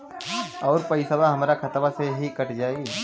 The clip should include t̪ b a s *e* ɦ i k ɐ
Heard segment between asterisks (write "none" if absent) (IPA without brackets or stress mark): e